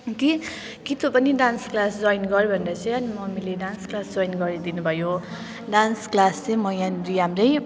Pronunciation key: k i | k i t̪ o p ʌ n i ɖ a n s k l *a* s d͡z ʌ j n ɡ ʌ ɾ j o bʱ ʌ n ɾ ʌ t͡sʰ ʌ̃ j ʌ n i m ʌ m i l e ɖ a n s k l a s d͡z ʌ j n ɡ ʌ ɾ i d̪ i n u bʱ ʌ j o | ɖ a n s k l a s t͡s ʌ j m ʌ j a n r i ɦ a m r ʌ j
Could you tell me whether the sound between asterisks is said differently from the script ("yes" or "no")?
no